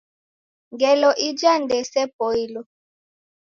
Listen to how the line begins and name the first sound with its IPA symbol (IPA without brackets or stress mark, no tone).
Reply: ŋ